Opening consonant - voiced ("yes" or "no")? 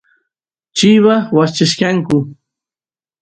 no